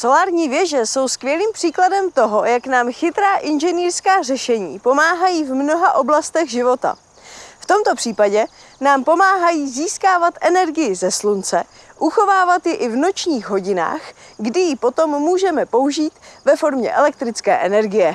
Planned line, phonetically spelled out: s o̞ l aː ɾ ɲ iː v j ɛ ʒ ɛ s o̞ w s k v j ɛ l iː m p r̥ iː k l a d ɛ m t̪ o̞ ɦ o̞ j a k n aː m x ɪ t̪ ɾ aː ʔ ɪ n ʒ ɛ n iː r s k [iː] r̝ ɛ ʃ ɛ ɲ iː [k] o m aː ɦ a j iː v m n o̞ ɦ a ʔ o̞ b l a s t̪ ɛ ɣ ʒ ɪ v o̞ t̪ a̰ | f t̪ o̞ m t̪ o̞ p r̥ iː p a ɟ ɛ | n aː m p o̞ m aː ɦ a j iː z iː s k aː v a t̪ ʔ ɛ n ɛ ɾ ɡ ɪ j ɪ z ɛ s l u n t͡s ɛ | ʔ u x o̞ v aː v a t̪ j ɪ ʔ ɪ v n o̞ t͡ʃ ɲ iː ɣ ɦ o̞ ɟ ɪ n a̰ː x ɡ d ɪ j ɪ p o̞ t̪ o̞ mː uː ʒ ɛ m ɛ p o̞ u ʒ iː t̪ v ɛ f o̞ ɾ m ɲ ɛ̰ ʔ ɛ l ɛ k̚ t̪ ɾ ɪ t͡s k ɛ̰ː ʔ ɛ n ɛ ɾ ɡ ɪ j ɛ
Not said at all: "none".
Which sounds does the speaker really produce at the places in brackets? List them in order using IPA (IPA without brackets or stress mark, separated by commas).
aː, p